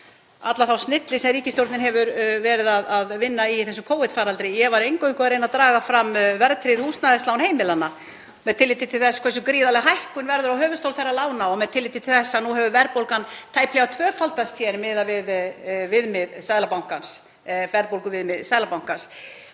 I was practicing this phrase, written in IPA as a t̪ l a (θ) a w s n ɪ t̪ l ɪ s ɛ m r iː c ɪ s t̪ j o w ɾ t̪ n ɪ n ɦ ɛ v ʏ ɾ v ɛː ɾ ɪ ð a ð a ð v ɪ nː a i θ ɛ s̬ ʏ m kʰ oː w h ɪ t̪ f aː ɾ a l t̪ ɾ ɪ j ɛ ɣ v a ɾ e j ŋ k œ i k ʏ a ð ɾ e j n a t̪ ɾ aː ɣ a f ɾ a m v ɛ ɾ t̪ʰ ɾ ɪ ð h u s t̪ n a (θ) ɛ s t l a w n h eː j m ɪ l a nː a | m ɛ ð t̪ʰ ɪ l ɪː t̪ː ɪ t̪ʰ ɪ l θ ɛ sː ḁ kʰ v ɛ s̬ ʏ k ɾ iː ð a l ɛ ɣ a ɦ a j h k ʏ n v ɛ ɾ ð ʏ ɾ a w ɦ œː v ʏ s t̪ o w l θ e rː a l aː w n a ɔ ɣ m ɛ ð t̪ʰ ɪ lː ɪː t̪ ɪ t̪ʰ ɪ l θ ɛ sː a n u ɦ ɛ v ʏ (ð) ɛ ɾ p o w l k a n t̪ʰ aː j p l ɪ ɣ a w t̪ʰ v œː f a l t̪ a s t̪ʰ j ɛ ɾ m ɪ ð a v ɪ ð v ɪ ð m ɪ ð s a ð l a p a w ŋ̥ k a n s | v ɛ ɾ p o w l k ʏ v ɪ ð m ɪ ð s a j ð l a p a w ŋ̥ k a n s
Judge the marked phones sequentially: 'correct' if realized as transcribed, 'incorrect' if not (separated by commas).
correct, incorrect, incorrect